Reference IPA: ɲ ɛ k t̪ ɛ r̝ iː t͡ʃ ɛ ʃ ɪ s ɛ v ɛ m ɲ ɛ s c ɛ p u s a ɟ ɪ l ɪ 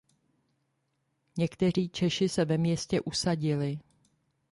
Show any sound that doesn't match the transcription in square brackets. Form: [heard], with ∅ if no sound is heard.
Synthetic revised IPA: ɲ ɛ k t̪ ɛ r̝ iː t͡ʃ ɛ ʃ ɪ s ɛ v ɛ m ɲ ɛ s c ɛ [ʔ] u s a ɟ ɪ l ɪ

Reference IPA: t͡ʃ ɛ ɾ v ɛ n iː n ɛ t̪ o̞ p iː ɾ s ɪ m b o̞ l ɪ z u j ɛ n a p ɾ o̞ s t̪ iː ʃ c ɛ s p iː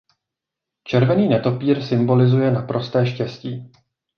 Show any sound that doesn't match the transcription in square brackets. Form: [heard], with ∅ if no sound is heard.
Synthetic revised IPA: t͡ʃ ɛ ɾ v ɛ n iː n ɛ t̪ o̞ p iː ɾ s ɪ m b o̞ l ɪ z u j ɛ n a p ɾ o̞ s t̪ [ɛː] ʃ c ɛ s [c] iː

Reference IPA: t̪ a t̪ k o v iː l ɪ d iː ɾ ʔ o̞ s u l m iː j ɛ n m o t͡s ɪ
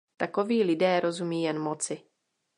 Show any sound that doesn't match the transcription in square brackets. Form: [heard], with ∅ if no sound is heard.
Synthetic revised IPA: t̪ a [∅] k o v iː l ɪ d [ɛː] ɾ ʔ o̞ [z] u [∅] m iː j ɛ n m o t͡s ɪ

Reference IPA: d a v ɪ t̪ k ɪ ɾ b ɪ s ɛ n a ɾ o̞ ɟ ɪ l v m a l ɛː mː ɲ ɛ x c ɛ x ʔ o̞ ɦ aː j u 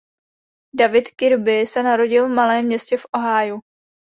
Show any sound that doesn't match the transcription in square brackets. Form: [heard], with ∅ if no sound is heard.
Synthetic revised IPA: d a v ɪ t̪ k ɪ ɾ b ɪ s ɛ n a ɾ o̞ ɟ ɪ l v m a l ɛː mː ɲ ɛ [s] c ɛ [f] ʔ o̞ ɦ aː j u

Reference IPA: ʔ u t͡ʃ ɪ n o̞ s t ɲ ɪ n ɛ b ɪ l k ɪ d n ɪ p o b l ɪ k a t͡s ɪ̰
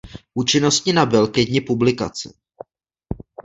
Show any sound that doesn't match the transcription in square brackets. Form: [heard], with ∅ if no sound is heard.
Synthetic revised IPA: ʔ u t͡ʃ ɪ n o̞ s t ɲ ɪ n [a] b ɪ l k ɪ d [ɲ] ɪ p [u] b l ɪ k a t͡s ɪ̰

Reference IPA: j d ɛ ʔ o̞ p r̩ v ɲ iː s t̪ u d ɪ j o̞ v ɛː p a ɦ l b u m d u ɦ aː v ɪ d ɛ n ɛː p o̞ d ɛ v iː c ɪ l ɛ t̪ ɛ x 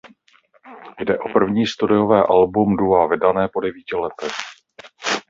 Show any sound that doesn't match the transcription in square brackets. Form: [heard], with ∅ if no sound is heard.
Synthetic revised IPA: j d ɛ ʔ o̞ p r̩ v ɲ iː s t̪ u d ɪ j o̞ v ɛː [ʔ] a [∅] l b u m d u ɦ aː v ɪ d [a] n ɛː p o̞ d ɛ v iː c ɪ l ɛ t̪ ɛ x

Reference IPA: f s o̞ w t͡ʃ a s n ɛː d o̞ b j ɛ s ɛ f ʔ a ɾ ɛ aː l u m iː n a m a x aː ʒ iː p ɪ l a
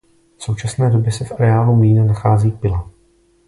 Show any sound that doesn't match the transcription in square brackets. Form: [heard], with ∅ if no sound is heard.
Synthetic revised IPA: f s o̞ w t͡ʃ a s n ɛː d o̞ b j ɛ s ɛ f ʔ a ɾ ɛ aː l u m iː n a [n] a x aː [z] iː p ɪ l a

